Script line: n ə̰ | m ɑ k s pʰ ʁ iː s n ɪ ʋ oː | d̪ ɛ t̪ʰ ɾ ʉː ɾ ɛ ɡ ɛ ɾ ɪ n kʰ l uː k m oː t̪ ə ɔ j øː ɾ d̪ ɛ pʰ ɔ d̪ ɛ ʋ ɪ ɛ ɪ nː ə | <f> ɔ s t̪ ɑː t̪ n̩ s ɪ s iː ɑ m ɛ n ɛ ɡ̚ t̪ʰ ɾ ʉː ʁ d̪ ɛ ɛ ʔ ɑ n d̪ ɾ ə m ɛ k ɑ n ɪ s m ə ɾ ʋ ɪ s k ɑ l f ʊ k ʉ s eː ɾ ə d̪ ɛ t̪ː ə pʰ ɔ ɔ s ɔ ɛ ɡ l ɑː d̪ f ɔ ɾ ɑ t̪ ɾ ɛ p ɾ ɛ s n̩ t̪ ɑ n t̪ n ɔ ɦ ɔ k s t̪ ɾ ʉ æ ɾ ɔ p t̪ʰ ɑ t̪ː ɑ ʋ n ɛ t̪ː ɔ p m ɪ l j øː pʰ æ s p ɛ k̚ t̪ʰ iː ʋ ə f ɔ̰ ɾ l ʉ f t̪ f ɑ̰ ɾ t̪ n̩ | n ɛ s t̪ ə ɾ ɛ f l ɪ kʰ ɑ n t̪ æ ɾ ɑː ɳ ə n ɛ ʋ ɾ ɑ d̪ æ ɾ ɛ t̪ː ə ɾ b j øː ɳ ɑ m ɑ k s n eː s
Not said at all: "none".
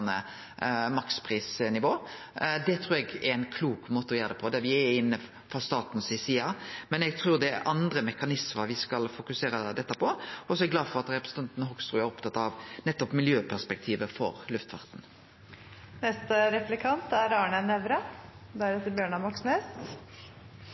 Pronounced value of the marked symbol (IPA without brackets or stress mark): f